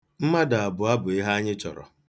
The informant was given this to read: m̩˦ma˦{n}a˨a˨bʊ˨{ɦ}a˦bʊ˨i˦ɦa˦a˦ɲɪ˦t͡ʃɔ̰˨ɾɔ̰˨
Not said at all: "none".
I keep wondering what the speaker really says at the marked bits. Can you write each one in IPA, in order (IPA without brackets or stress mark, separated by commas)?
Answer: d, none